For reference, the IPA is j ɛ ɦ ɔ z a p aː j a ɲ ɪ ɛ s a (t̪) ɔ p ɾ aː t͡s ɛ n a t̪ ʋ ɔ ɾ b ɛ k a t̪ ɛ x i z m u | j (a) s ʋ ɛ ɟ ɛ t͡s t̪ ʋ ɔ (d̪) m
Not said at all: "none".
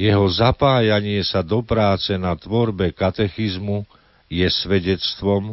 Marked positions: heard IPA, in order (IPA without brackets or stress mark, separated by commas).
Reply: d̪, ɛ, none